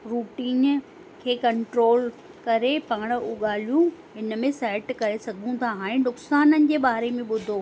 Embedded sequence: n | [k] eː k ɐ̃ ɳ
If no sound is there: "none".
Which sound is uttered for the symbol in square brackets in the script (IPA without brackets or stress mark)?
kʰ